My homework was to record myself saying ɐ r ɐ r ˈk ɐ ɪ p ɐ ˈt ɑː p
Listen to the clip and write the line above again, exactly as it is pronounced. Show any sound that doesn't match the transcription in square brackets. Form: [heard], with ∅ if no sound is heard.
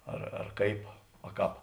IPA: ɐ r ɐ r ˈk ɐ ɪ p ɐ [ˈk] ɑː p